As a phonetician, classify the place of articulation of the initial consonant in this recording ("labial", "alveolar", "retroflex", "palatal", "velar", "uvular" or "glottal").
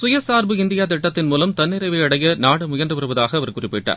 alveolar